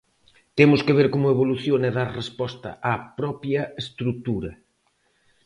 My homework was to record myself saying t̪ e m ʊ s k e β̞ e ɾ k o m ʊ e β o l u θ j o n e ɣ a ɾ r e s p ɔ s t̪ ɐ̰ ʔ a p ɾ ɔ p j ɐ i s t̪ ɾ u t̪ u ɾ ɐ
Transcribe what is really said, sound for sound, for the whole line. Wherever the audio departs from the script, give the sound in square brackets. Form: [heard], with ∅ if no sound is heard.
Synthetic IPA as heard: t̪ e m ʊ s k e β̞ e ɾ k o m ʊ e β o l u θ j o n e [ð] a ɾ r e s p ɔ s t̪ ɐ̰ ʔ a p ɾ ɔ p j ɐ [e] s t̪ ɾ u t̪ u ɾ ɐ